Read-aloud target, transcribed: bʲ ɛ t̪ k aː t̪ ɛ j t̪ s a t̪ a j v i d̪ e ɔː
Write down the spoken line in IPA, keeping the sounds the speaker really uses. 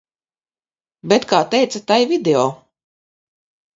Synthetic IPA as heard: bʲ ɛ t̪ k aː t̪ ɛ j t̪ s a t̪ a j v i d̪ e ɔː